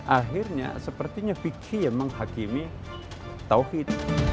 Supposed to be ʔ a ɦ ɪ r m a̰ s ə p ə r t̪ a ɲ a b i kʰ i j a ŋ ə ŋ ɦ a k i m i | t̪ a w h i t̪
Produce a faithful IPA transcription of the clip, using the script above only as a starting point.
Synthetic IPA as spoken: ʔ a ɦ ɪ r ɲ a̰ s ə p ə r t̪ i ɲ a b i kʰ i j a m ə ŋ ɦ a k i m i | t̪ a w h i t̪